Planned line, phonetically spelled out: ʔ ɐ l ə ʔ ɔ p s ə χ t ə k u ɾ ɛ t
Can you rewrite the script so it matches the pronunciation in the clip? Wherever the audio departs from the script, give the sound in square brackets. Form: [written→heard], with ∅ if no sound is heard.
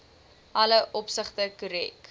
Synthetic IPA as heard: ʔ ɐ l ə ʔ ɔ p s ə χ t ə k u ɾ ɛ [t→k]